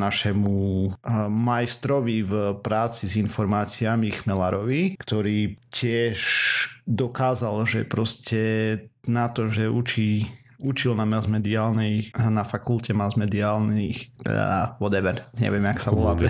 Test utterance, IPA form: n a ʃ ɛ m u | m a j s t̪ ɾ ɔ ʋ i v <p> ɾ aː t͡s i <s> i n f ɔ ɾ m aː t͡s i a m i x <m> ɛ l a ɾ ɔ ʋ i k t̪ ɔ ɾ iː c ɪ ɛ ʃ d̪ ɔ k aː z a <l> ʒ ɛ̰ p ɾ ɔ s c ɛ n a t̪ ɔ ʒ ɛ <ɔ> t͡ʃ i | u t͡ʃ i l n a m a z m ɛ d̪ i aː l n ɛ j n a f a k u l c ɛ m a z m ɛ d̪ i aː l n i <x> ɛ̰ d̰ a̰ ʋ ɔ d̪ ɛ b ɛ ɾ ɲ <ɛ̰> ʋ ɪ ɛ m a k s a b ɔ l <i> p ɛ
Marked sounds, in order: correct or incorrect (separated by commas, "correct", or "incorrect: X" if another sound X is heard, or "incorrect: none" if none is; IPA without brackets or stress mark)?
correct, incorrect: z, correct, correct, incorrect: u, correct, correct, incorrect: a